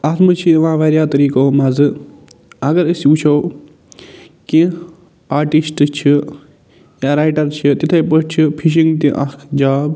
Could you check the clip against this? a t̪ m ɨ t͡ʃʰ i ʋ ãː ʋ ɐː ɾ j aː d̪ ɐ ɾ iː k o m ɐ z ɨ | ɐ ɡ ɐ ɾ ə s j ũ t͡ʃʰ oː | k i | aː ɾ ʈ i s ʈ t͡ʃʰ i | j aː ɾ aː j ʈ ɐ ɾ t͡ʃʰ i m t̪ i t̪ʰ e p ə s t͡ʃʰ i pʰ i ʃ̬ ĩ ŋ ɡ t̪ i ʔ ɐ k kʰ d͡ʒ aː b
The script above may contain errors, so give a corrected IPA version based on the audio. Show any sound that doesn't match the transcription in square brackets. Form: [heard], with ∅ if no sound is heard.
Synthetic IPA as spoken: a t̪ m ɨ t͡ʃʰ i ʋ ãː ʋ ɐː ɾ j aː [t̪] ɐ ɾ iː k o m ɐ z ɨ | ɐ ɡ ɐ ɾ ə s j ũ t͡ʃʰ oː | k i | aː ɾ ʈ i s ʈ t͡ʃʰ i | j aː ɾ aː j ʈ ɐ ɾ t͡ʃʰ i [∅] t̪ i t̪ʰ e p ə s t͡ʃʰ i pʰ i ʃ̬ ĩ ŋ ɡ t̪ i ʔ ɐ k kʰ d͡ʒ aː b